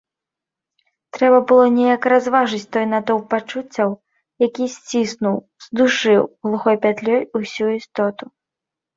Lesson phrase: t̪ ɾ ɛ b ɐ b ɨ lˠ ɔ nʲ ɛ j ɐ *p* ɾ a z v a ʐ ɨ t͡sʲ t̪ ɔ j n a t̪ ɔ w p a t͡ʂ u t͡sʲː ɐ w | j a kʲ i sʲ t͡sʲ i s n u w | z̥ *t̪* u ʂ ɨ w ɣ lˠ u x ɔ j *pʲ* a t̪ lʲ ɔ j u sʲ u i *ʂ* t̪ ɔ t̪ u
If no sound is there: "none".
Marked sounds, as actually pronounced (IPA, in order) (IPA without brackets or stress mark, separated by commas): k, d̪, pʲ, s